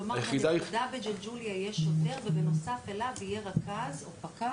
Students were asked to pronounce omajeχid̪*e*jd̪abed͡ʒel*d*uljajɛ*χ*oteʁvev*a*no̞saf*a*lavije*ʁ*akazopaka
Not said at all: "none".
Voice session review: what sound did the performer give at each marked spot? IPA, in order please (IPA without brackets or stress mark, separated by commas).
a, d͡ʒ, ʃ, e, e, ʁ